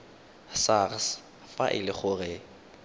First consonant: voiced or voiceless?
voiceless